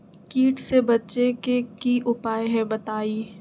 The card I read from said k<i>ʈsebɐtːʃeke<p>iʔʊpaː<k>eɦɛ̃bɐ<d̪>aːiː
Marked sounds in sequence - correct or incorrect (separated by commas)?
incorrect, incorrect, incorrect, incorrect